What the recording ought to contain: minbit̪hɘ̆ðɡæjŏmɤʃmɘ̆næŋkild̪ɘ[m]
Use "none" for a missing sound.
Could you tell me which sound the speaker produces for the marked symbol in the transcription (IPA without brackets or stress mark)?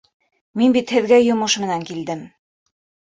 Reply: m